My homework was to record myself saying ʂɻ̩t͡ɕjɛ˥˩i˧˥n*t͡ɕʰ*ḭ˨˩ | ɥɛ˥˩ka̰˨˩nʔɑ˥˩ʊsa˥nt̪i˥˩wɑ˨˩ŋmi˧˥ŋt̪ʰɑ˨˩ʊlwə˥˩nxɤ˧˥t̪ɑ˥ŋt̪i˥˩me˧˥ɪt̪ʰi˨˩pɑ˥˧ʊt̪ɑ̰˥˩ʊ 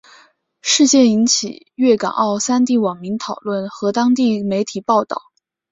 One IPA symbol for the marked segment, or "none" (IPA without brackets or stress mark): t͡ɕʰ